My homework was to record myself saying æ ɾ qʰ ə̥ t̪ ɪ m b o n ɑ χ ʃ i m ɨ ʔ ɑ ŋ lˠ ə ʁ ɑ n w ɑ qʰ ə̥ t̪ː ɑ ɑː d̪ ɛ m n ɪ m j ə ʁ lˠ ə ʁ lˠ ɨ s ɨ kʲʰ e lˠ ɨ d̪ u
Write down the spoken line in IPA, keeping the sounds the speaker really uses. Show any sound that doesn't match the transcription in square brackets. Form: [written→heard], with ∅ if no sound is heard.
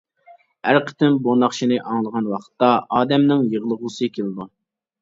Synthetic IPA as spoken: æ ɾ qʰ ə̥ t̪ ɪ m b o n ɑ χ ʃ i [m→n] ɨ ʔ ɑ ŋ lˠ ə ʁ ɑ n w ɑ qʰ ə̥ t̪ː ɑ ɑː d̪ ɛ m n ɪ [m→ŋ] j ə ʁ lˠ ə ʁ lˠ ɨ s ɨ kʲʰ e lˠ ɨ d̪ u

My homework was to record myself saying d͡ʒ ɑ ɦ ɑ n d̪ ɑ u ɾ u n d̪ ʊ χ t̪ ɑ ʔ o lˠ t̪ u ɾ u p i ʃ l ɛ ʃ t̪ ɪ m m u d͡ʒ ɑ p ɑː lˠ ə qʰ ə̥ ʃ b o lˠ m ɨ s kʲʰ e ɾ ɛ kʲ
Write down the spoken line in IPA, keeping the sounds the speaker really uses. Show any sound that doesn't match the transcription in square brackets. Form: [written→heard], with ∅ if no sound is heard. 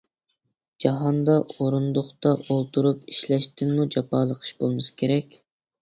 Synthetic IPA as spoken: d͡ʒ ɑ ɦ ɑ n d̪ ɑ [u→o] ɾ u n d̪ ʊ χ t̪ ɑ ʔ o lˠ t̪ u ɾ u p i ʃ l ɛ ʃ t̪ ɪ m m u d͡ʒ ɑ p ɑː lˠ ə qʰ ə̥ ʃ b o lˠ m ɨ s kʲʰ e ɾ ɛ kʲ

